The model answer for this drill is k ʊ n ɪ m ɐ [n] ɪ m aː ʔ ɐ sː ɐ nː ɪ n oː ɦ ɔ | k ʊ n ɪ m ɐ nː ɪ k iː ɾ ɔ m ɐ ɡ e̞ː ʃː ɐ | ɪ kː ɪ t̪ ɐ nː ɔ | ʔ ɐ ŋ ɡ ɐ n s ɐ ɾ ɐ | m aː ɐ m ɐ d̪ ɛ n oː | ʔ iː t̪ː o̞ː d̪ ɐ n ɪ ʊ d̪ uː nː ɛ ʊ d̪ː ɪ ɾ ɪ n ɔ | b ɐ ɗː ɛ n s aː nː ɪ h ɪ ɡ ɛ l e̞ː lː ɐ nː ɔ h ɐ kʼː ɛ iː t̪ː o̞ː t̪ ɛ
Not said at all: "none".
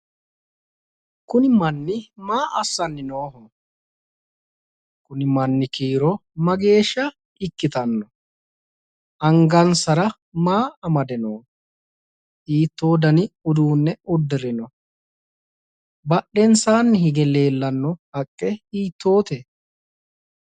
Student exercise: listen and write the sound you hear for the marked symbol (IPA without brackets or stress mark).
nː